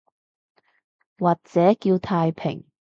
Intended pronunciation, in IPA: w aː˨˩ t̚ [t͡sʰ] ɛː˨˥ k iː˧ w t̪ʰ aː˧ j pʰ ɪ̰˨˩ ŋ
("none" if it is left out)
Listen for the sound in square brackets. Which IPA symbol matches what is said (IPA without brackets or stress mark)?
t͡s